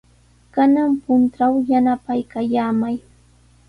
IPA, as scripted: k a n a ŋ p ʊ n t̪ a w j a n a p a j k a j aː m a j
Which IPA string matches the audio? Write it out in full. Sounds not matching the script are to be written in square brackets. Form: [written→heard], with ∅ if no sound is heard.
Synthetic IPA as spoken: k a n a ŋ p ʊ n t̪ a w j a n a p a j k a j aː m a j